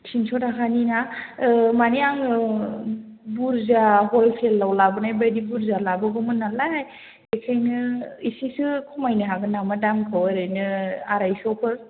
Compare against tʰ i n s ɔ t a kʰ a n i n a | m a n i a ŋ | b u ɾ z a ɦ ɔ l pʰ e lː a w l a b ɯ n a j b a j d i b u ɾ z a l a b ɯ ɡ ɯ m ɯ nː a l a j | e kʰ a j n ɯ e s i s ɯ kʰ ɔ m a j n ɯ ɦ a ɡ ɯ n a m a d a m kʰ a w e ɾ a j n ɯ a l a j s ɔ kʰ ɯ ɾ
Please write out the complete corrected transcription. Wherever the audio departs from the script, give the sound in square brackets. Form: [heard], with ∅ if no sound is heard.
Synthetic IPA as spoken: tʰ i n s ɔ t a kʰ a n i n a | m a n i a ŋ | b u ɾ z a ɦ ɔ l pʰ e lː a w l a b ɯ n a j b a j d i b u ɾ z a l a b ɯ ɡ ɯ m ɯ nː a l a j | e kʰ a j n ɯ [i] s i s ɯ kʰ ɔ m a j n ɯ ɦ a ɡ ɯ n a m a d a m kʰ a w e ɾ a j n ɯ a [ɾ] a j s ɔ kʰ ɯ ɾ